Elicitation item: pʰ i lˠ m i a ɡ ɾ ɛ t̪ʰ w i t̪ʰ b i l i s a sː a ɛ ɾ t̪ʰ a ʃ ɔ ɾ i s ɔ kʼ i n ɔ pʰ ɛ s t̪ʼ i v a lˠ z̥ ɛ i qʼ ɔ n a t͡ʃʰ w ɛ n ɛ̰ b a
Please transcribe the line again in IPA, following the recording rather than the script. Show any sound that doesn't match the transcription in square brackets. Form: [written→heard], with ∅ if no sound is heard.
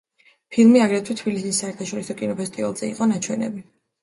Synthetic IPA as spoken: pʰ i lˠ m i a ɡ ɾ ɛ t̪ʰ w i t̪ʰ b i l i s [a→i] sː a ɛ ɾ t̪ʰ a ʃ ɔ ɾ i s ɔ kʼ i n ɔ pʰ ɛ s t̪ʼ i v a lˠ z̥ ɛ i qʼ ɔ n a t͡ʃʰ w ɛ n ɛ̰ b [a→i]